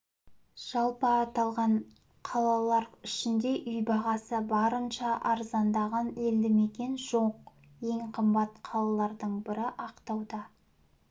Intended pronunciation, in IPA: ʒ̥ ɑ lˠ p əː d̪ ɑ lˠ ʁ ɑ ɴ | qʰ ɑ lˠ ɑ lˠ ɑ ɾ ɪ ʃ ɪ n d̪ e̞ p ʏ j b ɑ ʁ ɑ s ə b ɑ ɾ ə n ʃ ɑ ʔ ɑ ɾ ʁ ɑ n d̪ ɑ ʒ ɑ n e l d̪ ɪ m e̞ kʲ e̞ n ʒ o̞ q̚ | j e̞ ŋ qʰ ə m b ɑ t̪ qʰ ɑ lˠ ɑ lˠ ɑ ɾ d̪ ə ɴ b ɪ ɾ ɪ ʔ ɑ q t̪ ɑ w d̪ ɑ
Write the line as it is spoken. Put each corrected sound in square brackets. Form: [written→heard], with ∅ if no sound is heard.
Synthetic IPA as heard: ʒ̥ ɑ lˠ p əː [d̪→t̪] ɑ lˠ ʁ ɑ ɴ | qʰ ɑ lˠ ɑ lˠ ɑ ɾ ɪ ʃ ɪ n d̪ e̞ [p→ʔ] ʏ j b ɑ ʁ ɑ s ə b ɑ ɾ ə n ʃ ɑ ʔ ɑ ɾ [ʁ→z] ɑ n d̪ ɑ [ʒ→ʁ] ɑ n e l d̪ ɪ m e̞ kʲ e̞ n ʒ o̞ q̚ | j e̞ ŋ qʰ ə m b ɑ t̪ qʰ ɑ lˠ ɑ lˠ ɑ ɾ d̪ ə ɴ b ɪ ɾ ɪ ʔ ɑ q t̪ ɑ w d̪ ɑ